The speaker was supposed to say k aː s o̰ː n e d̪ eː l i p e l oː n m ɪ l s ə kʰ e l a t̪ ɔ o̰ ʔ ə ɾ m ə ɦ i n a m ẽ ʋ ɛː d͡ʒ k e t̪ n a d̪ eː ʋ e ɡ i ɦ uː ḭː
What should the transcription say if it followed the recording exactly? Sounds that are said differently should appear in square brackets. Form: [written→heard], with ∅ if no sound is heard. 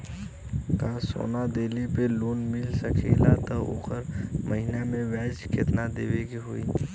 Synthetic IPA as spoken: k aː s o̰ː n [e→a] d̪ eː l i p e l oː n m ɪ l s ə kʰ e l a t̪ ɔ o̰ [ʔ→k] ə ɾ m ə ɦ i n a m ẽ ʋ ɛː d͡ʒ k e t̪ n a d̪ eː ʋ e ɡ i ɦ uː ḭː